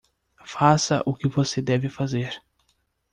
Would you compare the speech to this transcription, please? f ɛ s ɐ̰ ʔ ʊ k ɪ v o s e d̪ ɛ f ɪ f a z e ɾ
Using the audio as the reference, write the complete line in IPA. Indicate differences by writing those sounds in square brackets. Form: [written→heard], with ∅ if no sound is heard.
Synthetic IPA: f [ɛ→a] s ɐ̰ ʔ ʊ k ɪ v o s e d̪ ɛ [f→v] ɪ f a z e ɾ